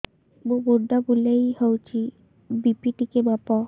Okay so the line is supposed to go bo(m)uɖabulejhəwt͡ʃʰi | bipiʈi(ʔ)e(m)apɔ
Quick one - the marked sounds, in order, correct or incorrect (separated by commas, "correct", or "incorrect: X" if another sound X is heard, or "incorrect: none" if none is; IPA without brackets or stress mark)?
incorrect: b, incorrect: k, incorrect: b